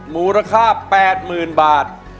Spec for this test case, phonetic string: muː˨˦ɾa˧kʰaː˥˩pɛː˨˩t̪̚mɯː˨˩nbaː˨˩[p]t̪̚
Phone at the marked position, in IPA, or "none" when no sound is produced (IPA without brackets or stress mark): none